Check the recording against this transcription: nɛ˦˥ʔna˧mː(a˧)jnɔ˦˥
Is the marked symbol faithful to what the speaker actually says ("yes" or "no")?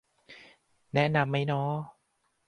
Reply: no